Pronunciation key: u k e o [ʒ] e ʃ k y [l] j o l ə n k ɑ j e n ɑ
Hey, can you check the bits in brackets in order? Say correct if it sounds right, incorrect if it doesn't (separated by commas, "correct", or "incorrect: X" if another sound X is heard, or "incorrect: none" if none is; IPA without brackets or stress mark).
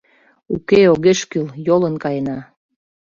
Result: incorrect: ɣ, correct